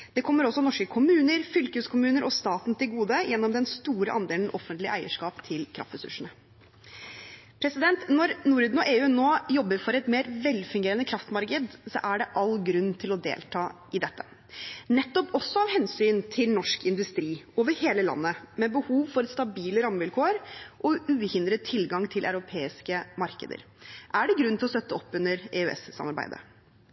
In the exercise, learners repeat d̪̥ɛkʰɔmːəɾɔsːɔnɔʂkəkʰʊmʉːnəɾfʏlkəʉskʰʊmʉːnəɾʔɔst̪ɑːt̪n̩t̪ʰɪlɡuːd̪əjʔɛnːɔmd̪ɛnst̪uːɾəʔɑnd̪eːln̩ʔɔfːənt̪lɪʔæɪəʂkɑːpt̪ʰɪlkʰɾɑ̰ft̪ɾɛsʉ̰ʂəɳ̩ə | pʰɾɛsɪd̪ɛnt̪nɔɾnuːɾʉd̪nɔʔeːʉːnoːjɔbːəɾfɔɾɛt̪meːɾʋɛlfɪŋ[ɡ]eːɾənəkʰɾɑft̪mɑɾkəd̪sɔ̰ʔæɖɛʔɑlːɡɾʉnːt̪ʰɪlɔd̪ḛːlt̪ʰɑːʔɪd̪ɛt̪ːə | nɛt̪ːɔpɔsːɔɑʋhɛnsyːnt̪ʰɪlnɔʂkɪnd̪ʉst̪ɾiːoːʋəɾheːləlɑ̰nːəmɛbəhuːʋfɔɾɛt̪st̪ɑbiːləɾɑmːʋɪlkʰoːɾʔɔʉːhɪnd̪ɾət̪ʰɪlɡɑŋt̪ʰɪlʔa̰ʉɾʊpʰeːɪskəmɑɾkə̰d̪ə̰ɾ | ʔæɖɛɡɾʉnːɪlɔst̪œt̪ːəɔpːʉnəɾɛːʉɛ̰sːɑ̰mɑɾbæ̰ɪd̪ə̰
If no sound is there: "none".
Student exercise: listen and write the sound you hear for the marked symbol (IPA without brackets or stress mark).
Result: ɡ